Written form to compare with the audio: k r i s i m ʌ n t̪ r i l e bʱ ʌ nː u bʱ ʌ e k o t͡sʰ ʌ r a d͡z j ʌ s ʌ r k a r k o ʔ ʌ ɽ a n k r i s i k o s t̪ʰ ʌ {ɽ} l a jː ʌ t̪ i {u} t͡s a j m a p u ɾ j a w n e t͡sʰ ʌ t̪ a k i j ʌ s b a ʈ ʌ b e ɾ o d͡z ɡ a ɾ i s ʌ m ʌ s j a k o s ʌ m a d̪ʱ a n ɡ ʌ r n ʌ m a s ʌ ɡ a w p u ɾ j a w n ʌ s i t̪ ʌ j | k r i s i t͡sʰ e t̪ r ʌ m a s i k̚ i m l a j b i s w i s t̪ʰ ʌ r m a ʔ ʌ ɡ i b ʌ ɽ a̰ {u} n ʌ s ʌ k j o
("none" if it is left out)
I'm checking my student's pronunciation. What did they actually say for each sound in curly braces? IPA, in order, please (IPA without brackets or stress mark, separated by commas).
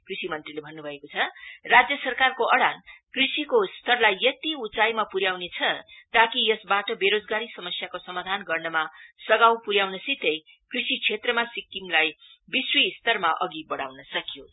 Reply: r, u, w